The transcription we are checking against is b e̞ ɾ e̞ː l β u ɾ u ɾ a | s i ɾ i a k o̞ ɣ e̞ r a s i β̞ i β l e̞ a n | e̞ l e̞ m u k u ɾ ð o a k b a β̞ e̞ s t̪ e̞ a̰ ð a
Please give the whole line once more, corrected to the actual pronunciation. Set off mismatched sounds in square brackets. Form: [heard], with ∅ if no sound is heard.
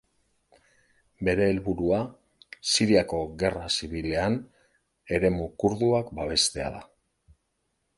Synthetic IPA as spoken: b e̞ ɾ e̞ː l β u ɾ u [∅] a | s i ɾ i a k o̞ ɣ e̞ r a s i β̞ i [∅] l e̞ a n | e̞ [ɾ] e̞ m u k u ɾ ð [u] a k b a β̞ e̞ s t̪ e̞ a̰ ð a